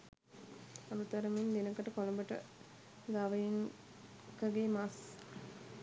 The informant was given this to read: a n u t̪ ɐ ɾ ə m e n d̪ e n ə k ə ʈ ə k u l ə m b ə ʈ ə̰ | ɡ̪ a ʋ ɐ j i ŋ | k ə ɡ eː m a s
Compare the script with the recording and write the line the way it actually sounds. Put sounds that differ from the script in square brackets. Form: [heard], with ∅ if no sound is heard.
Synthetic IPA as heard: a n u t̪ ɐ ɾ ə m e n d̪ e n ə k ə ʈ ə k [o] l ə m b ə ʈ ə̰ | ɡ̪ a ʋ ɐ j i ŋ | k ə ɡ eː m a s